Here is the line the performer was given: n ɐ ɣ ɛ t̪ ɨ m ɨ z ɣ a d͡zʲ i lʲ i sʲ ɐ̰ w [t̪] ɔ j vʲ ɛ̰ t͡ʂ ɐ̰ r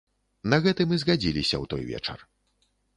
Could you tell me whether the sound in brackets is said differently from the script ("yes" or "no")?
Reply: no